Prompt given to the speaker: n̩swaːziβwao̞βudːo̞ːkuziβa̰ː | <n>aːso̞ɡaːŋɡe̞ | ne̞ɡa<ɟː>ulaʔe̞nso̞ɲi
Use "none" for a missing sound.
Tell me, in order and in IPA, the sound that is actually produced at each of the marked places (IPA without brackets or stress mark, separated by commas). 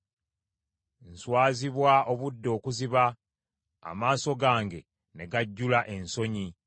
m, ɟː